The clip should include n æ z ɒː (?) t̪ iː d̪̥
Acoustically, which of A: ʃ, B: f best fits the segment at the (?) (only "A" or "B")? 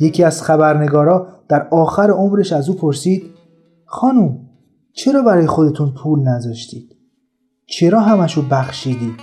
A